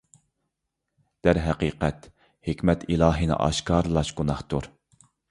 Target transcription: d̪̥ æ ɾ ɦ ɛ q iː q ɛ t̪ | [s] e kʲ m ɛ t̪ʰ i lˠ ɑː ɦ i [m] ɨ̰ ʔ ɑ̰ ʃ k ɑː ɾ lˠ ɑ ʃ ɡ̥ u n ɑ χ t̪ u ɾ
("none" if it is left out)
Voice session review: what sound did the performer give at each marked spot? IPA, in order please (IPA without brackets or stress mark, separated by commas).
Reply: h, n